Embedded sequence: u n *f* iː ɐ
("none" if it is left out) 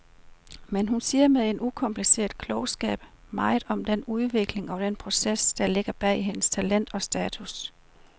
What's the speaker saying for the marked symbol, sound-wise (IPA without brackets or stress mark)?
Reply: s